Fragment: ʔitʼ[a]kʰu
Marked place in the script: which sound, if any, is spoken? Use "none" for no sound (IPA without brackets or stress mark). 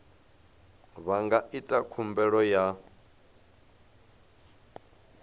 a